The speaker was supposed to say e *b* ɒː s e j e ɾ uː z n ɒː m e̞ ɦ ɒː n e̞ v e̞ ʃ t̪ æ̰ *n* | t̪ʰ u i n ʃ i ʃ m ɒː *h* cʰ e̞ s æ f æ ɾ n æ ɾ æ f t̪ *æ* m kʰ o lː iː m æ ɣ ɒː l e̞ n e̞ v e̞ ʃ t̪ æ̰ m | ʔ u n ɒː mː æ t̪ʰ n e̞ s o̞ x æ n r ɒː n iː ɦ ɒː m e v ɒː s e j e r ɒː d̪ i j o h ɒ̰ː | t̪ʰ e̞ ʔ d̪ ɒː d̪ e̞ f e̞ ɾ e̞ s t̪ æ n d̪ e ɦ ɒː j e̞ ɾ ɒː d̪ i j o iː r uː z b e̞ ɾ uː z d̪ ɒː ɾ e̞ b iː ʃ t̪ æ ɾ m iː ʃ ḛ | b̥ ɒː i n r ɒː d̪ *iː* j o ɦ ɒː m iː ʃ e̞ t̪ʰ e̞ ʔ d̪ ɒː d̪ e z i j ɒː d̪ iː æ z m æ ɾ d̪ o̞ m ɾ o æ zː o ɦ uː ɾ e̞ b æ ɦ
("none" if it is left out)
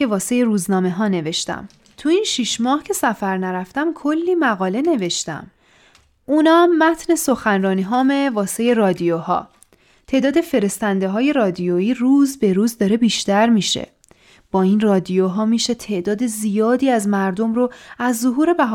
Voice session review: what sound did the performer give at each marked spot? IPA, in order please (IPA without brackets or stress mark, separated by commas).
v, m, h, æ, i